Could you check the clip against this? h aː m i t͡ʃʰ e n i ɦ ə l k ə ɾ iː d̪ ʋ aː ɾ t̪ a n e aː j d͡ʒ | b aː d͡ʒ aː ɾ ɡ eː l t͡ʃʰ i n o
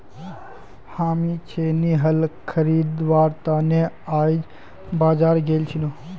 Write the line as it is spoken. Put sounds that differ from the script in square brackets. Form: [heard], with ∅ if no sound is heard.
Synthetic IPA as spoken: h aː m i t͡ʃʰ e n i ɦ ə l [kʰ] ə ɾ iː d̪ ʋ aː ɾ t̪ a n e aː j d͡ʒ | b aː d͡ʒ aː ɾ ɡ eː l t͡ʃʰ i n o